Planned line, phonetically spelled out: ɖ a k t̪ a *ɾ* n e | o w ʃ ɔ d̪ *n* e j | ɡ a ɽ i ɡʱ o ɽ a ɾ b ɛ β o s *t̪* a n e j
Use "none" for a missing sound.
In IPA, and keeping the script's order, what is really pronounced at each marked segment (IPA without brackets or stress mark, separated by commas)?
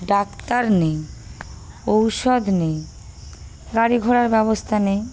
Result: ɾ, n, t̪ʰ